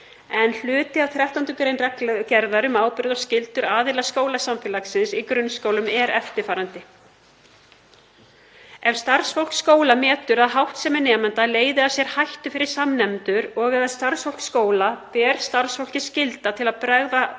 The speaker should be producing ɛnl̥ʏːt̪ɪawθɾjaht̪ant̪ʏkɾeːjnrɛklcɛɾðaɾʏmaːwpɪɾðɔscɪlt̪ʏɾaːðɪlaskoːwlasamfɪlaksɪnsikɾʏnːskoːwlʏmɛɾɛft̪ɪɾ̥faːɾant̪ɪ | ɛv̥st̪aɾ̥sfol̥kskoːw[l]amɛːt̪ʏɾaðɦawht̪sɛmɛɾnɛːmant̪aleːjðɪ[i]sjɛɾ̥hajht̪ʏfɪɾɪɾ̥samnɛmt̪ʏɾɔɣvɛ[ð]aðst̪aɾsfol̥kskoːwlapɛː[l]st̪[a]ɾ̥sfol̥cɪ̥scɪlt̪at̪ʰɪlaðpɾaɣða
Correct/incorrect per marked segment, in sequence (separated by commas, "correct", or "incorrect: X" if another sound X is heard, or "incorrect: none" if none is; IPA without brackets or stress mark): correct, incorrect: a, correct, incorrect: ɾ, correct